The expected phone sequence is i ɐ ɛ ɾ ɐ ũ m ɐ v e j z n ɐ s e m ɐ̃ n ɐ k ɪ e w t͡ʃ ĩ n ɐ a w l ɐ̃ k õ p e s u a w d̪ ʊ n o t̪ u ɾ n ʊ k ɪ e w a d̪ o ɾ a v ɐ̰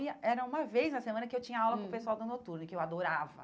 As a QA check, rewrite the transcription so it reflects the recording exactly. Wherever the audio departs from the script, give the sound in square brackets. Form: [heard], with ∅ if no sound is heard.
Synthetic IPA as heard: i ɐ ɛ ɾ ɐ ũ m ɐ v e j z n ɐ s e m ɐ̃ n ɐ k ɪ e w t͡ʃ ĩ [ɲ] ɐ a w l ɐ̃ k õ p e s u a w d̪ ʊ n o t̪ u ɾ n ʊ k ɪ e w a d̪ o ɾ a v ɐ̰